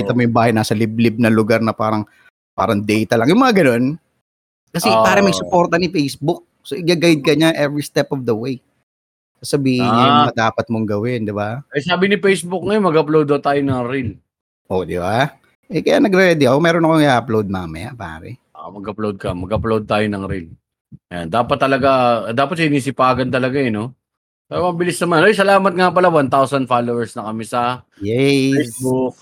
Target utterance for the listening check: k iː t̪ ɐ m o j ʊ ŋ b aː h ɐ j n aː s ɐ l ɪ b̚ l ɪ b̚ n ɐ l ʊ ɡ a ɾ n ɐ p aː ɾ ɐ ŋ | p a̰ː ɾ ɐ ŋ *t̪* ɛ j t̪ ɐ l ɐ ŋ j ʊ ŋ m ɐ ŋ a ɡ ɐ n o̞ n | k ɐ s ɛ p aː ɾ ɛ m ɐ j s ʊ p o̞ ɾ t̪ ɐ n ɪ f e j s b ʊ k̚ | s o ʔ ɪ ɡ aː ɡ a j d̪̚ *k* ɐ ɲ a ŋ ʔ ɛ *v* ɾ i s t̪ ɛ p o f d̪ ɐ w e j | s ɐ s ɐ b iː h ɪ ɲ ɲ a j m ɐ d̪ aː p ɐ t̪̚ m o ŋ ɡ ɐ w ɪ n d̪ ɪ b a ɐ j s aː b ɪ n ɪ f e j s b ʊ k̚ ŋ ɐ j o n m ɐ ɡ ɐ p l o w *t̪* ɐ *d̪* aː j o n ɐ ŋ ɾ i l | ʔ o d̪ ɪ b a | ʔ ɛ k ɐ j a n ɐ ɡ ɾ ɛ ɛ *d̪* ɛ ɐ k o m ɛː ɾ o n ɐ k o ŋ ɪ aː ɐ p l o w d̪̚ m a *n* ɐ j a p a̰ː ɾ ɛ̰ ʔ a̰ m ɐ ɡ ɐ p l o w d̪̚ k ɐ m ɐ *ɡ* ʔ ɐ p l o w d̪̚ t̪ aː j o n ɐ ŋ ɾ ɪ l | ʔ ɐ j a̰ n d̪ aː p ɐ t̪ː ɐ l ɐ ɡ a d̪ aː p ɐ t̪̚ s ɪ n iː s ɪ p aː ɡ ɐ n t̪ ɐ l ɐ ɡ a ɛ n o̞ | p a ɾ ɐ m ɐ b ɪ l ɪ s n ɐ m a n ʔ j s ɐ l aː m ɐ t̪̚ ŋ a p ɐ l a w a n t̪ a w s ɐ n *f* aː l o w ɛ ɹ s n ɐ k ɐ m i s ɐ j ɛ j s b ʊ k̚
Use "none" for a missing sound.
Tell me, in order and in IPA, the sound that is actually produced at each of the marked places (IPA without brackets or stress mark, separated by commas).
d̪, k, v, d̪, t̪, d̪, m, ɡ, f